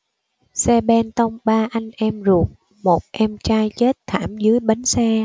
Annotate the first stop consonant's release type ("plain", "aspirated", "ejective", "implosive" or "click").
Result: implosive